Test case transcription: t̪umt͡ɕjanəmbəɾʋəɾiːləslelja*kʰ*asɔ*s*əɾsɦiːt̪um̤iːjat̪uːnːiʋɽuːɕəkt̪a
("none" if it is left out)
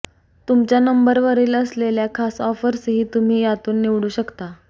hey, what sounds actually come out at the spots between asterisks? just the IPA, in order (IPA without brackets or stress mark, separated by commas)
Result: kʰ, f